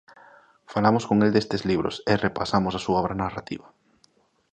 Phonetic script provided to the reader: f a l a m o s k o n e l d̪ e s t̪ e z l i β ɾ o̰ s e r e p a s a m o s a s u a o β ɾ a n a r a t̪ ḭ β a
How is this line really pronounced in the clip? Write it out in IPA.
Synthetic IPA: f a l a m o s k o ŋ e l d̪ e s t̪ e z l i β ɾ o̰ s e r e p a s a m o s a s u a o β ɾ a n a r a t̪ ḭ β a

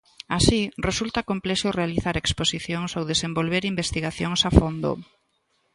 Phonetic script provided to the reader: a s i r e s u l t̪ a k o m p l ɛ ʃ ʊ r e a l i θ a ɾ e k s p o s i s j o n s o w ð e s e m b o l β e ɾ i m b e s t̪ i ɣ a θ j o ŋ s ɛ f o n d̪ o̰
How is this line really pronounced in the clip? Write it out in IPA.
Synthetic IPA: a s i r e s u l t̪ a k o m p l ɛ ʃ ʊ r e a l i θ a ɾ e k s p o s i θ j o ŋ s o w ð e s e m b o l β e ɾ i m b e s t̪ i ɣ a θ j o ŋ s a f o n d̪ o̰

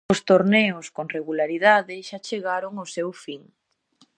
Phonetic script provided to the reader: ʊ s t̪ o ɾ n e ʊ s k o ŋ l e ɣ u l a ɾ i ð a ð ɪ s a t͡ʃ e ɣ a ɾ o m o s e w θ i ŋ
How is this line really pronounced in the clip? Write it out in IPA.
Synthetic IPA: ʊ s t̪ o ɾ n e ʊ s k o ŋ r e ɣ u l a ɾ i ð a ð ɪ ʃ a t͡ʃ e ɣ a ɾ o ŋ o s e w f i ŋ

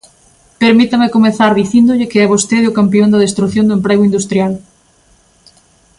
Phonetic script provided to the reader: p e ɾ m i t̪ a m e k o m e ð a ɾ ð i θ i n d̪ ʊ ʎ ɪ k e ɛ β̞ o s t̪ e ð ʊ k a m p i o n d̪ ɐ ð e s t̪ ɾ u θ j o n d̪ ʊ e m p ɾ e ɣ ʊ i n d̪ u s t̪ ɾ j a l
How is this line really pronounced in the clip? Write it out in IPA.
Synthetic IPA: p e ɾ m i t̪ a m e k o m e θ a ɾ ð i θ i n d̪ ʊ ʎ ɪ k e ɛ β̞ o s t̪ e ð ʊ k a m p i o n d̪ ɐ ð e s t̪ ɾ u θ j o n d̪ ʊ e m p ɾ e ɣ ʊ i n d̪ u s t̪ ɾ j a l

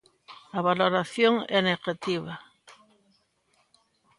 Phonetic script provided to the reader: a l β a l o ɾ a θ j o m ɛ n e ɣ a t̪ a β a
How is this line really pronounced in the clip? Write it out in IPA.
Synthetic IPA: a β a l o ɾ a θ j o ŋ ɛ n e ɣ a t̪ i β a

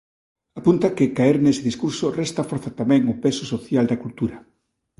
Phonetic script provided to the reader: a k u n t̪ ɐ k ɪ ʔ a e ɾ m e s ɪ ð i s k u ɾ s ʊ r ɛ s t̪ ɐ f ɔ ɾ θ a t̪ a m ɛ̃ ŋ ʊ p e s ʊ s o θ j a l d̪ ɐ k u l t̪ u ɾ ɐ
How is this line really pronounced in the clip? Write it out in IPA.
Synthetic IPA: a p u n t̪ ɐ k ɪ k a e ɾ n e s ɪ ð i s k u ɾ s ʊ r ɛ s t̪ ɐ f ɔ ɾ θ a t̪ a m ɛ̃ ŋ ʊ p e s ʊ s o θ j a l d̪ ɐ k u l t̪ u ɾ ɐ

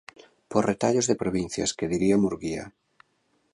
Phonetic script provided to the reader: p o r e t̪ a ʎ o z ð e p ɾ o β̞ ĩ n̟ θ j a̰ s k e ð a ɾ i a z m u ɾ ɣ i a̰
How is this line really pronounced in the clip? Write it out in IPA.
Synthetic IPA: p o r e t̪ a ʎ o z ð e p ɾ o β̞ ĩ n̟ θ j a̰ s k e ð i ɾ i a m u ɾ ɣ i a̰

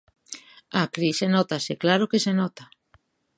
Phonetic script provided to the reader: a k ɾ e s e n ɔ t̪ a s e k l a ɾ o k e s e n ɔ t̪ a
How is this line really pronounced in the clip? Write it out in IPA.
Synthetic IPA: a k ɾ i s e n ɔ t̪ a s e k l a ɾ o k e s e n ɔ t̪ a

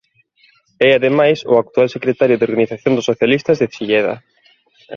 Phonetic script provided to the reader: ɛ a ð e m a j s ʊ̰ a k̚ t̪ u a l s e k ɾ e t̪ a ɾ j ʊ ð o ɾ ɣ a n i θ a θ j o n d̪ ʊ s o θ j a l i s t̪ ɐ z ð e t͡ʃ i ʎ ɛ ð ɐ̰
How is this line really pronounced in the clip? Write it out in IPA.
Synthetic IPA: ɛ a ð e m a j s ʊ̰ a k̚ t̪ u a l s e k ɾ e t̪ a ɾ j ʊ ð o ɾ ɣ a n i θ a θ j o n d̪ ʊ s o θ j a l i s t̪ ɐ z ð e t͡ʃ i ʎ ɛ ð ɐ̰

